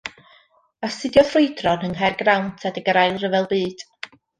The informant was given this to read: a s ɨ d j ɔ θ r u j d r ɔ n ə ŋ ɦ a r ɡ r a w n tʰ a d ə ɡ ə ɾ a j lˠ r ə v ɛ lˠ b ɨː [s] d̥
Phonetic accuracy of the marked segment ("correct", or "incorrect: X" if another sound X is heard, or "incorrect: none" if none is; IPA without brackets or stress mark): incorrect: none